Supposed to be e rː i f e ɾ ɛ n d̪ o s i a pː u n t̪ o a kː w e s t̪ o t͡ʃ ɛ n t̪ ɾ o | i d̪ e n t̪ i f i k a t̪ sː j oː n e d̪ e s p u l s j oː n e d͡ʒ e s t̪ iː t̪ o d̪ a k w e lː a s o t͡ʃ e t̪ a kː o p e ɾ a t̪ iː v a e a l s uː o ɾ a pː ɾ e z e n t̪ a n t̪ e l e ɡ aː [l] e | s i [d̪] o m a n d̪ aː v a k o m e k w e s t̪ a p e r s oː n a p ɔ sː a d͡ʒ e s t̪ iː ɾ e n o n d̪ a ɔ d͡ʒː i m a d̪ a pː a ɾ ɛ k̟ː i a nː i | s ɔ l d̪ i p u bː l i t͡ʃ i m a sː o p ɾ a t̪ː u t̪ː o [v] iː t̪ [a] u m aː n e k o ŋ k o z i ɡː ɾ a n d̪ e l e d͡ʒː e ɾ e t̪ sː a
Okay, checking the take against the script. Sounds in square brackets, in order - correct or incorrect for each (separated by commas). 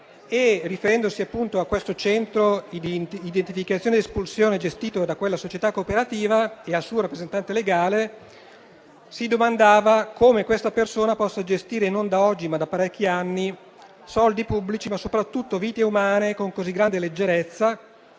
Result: correct, correct, correct, incorrect